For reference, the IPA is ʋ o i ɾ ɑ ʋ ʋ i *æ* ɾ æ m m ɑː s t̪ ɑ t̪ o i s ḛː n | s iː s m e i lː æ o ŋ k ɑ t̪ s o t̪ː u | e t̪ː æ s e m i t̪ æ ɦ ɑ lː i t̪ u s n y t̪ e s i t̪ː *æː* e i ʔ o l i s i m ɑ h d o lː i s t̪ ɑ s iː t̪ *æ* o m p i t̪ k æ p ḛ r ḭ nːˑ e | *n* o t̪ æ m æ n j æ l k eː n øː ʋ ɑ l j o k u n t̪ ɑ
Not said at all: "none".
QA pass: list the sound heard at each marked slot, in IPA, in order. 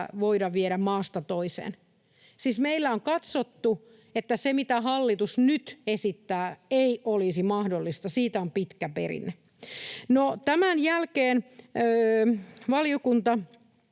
e, æː, æ, n

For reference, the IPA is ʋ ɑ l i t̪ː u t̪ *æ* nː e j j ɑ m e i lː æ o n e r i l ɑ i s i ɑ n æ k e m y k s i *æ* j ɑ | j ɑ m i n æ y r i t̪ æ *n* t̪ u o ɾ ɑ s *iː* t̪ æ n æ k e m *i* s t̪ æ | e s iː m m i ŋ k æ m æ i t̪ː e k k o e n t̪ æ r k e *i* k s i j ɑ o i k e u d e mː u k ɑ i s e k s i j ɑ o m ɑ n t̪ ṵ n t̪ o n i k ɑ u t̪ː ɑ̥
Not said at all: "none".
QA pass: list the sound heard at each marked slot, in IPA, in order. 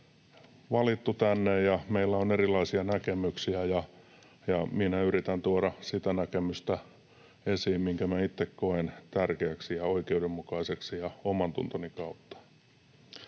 æ, æ, n, i, y, æ

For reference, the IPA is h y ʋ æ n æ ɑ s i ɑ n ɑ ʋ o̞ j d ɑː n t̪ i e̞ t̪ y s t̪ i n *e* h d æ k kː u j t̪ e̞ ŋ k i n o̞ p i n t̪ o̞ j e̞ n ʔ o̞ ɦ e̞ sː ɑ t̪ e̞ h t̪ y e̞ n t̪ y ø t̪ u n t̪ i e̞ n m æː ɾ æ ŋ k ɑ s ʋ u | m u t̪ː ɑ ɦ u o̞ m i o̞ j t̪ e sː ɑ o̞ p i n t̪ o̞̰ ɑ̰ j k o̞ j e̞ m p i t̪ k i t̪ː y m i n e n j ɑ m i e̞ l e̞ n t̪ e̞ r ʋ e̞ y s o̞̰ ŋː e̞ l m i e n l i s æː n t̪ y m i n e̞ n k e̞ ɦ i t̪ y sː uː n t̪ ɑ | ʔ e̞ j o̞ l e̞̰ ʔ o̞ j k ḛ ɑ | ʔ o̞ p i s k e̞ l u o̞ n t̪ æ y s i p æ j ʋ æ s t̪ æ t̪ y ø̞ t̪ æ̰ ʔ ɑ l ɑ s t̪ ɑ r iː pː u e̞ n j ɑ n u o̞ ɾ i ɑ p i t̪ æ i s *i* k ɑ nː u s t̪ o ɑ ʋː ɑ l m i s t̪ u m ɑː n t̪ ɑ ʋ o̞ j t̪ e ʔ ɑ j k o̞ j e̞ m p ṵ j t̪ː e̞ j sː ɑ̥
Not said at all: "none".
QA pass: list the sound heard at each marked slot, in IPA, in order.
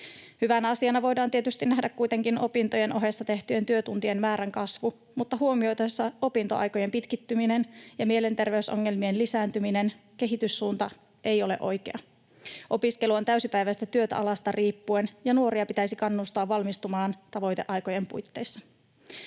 æ, i

